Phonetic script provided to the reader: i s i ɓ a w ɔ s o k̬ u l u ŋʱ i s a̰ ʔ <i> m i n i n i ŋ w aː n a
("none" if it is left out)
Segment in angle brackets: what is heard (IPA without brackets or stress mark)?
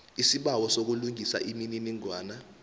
i